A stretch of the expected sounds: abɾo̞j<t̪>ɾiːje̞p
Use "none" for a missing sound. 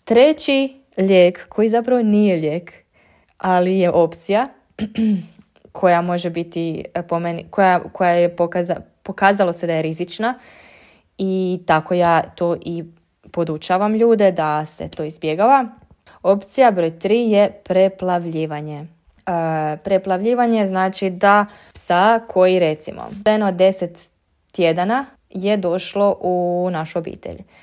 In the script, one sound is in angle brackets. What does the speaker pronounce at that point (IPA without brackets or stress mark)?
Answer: t̪